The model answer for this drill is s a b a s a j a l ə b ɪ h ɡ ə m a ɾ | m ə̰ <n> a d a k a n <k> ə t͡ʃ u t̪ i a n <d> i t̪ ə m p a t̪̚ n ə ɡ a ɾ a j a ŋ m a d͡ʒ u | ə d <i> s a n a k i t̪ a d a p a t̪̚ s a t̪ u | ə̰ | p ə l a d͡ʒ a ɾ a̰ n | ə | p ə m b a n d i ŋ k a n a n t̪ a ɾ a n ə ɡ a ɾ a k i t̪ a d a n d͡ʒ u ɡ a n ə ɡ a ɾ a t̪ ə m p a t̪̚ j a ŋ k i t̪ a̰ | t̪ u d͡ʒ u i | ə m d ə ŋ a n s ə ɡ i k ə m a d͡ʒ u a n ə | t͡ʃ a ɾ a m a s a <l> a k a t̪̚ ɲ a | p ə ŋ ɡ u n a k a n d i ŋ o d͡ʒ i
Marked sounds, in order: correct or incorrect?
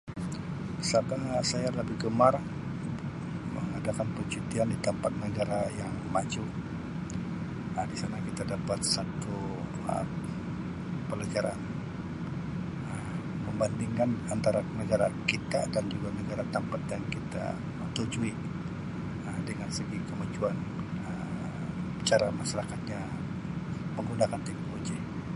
incorrect, incorrect, correct, correct, incorrect

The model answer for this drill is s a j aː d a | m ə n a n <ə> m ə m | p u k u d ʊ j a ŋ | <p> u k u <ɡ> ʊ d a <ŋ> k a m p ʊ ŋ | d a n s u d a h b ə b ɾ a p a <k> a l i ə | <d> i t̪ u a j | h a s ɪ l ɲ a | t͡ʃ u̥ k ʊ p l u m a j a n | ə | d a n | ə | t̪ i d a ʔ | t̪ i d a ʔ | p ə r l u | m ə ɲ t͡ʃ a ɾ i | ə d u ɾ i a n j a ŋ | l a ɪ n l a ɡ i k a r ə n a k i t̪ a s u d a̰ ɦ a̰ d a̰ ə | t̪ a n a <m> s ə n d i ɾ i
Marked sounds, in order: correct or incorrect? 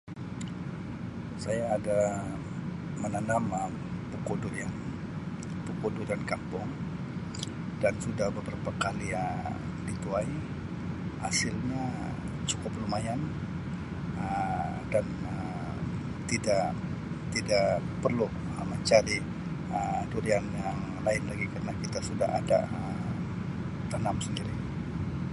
incorrect, correct, incorrect, incorrect, correct, correct, correct

